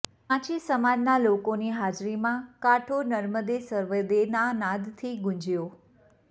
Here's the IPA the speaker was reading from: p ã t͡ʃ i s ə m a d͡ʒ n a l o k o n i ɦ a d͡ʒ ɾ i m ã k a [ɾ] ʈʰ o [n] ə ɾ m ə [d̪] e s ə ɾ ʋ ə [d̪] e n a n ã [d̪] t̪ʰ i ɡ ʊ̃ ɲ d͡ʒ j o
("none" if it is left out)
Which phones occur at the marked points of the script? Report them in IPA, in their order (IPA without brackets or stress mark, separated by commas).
none, n, d̪, d̪, d̪